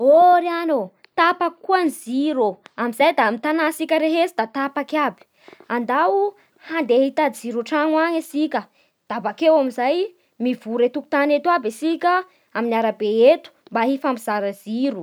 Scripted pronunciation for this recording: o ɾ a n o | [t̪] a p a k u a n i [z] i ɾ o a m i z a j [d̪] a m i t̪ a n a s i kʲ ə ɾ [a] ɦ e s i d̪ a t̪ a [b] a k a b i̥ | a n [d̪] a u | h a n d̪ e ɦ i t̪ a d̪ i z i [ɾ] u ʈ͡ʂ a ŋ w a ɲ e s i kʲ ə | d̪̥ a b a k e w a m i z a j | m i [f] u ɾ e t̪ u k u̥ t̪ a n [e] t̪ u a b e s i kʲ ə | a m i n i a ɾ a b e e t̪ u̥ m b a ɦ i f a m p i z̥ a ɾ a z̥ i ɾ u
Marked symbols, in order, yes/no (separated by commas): yes, yes, yes, no, no, yes, yes, no, yes